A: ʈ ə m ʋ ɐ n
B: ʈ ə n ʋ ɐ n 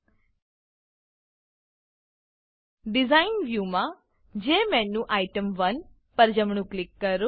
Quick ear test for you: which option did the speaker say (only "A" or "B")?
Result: A